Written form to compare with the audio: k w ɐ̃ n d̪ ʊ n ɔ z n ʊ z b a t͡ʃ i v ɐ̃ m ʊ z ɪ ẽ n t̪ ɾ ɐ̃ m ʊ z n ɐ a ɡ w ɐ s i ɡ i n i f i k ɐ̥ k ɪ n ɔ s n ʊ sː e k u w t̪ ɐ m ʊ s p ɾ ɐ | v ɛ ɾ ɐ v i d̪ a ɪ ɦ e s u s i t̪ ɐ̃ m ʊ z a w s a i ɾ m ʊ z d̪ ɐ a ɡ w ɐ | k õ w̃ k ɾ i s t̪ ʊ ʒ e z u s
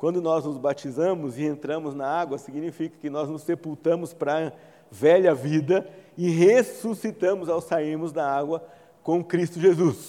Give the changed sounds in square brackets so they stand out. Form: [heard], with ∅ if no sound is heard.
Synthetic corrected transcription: k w ɐ̃ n d̪ ʊ n ɔ z n ʊ z b a t͡ʃ i [z] ɐ̃ m ʊ z ɪ ẽ n t̪ ɾ ɐ̃ m ʊ z n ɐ a ɡ w ɐ s i ɡ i n i f i k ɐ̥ k ɪ n ɔ [z] n ʊ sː e [p] u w t̪ [ɐ̃] m ʊ s p ɾ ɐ | v ɛ [ʎ] ɐ v i d̪ [ɐ] ɪ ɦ e s u s i t̪ ɐ̃ m ʊ z a w s a i ɾ m ʊ z d̪ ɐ a ɡ w ɐ | k õ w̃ k ɾ i s t̪ ʊ ʒ e z u s